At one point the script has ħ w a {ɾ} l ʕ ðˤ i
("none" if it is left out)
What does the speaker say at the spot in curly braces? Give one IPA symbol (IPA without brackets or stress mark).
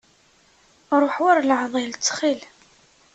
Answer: ɾ